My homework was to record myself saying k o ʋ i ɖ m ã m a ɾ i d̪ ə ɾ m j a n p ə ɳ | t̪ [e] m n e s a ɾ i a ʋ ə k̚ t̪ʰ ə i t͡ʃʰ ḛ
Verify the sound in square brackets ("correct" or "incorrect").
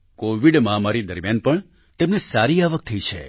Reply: correct